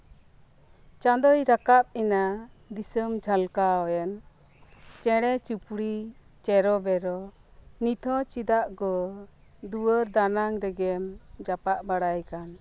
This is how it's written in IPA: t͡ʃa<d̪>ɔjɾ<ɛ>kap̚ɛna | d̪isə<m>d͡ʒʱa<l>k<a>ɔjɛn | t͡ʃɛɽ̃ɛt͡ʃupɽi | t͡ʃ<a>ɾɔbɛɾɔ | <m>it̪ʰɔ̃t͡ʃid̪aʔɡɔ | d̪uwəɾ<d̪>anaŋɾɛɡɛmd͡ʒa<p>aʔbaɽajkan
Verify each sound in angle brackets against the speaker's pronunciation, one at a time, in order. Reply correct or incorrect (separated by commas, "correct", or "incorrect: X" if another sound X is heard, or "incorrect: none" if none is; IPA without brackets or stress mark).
correct, incorrect: a, correct, correct, correct, incorrect: ɛ, incorrect: n, correct, correct